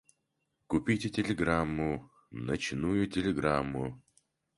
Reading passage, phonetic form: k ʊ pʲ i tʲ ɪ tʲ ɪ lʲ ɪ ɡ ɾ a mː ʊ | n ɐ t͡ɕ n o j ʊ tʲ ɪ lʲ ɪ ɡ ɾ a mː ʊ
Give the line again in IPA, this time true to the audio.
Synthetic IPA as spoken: k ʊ pʲ i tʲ ɪ tʲ ɪ lʲ ɪ ɡ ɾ a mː ʊ | n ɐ t͡ɕ n u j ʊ tʲ ɪ lʲ ɪ ɡ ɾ a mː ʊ